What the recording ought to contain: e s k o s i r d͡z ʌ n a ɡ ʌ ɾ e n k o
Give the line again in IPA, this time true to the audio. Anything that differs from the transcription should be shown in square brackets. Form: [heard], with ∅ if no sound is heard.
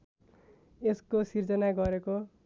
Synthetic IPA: e s k o s i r d͡z ʌ n a ɡ ʌ ɾ e [∅] k o